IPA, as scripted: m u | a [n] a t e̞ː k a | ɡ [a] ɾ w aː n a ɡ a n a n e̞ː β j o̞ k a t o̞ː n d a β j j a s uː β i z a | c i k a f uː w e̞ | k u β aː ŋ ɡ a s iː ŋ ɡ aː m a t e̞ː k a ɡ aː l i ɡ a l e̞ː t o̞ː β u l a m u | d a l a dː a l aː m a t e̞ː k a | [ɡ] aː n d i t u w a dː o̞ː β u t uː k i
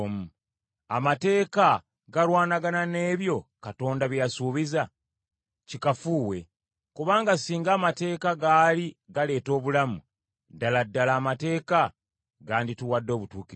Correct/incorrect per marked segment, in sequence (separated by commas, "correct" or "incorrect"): incorrect, correct, correct